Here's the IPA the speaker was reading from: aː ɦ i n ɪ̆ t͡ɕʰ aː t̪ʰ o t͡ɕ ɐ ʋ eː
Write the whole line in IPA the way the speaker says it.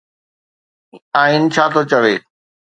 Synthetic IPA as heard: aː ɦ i n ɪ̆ t͡ɕʰ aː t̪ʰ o t͡ɕ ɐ ʋ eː

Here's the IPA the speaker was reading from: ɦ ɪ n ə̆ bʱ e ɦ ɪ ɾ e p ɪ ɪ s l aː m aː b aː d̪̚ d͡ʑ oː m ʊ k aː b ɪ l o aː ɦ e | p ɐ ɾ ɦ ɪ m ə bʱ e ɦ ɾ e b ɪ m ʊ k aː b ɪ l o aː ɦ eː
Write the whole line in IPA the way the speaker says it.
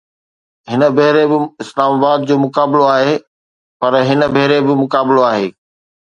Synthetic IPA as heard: ɦ ɪ n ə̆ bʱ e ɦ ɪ ɾ e b ɪ ɪ s l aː m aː b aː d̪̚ d͡ʑ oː m ʊ k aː b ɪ l o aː ɦ e | p ɐ ɾ ɦ ɪ n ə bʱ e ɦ ɾ e b ɪ m ʊ k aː b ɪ l o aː ɦ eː

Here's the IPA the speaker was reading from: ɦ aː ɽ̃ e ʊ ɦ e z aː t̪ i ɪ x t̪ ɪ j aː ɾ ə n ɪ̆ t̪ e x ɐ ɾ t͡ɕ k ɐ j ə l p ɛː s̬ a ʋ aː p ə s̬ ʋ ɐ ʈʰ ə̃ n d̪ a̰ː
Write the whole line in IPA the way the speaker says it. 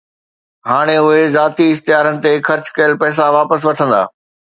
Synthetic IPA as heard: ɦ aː ɽ̃ e ʊ ɦ e z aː t̪ i ɪ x t̪ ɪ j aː ɾ ə n ɪ̆ t̪ e x ɐ ɾ t͡ɕ k ɐ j ə l p ɛː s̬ a ʋ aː p ə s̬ ʋ ɐ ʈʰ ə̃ n d̪ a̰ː

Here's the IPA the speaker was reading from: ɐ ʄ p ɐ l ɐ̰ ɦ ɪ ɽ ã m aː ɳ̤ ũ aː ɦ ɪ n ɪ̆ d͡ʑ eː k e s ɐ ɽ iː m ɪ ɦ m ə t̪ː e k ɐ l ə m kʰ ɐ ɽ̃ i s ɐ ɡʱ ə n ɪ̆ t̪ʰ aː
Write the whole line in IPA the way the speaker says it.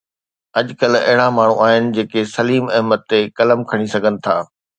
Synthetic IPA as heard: ɐ ʄ k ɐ l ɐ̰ ɦ ɪ ɽ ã m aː ɳ̤ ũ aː ɦ ɪ n ɪ̆ d͡ʑ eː k e s ɐ l iː m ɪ ɦ m ə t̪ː e k ɐ l ə m kʰ ɐ ɽ̃ i s ɐ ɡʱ ə n ɪ̆ t̪ʰ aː

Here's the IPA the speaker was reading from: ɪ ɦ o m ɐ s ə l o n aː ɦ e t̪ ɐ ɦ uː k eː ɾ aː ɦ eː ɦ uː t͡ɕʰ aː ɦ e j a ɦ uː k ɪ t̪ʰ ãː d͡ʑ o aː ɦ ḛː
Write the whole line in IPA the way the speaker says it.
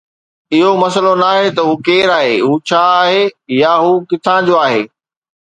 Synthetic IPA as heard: ɪ ɦ o m ɐ s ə l o n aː ɦ e t̪ ɐ ɦ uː k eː ɾ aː ɦ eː ɦ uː t͡ɕʰ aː ɦ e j a ɦ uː k ɪ t̪ʰ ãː d͡ʑ o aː ɦ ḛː

